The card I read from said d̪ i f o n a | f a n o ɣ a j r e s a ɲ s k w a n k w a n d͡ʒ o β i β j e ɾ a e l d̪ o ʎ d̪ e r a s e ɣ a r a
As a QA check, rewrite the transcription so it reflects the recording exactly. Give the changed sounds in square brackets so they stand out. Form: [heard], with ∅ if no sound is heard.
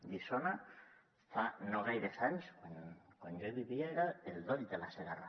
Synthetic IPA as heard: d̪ i [s] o n a | f a n o ɣ a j [ɾ] e s a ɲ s k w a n k w a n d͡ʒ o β i β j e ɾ a e l d̪ o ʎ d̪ e [l] a s e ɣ a r a